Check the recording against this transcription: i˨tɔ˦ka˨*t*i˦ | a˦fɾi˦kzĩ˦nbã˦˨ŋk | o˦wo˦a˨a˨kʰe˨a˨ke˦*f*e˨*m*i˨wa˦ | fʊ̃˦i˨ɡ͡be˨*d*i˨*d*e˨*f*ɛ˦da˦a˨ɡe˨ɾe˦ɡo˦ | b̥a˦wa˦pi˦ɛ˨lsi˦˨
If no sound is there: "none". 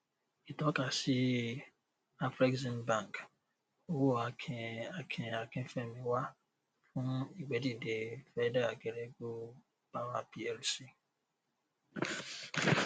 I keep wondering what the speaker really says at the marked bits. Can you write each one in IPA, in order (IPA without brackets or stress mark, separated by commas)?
s, f, m, d, d, f